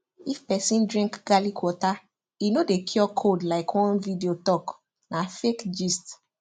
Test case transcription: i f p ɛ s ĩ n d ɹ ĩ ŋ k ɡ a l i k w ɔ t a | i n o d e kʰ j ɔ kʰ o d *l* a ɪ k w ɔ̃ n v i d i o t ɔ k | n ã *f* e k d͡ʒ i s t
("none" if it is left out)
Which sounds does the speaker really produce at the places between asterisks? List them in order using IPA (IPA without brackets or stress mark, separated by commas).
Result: l, f